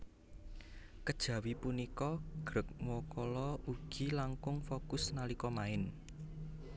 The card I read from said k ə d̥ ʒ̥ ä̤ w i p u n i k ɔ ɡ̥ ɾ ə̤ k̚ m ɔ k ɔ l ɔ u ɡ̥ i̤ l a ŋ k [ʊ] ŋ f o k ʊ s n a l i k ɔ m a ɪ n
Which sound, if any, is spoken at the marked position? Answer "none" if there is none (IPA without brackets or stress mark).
ʊ